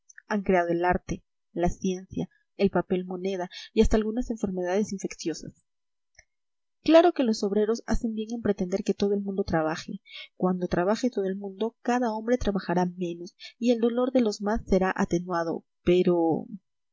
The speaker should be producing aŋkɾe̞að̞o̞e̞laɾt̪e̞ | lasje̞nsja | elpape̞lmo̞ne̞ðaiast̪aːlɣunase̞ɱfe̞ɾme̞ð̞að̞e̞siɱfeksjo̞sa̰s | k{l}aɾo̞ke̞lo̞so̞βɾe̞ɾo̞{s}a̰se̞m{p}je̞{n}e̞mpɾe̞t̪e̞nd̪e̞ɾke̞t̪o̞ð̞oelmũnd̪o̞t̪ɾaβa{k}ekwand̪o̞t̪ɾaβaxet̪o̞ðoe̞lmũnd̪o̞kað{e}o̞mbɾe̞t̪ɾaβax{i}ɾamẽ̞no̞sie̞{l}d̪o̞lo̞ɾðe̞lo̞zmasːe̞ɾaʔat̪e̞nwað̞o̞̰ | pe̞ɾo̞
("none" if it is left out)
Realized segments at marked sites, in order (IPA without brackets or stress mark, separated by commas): l, s, b, ŋ, x, a, a, l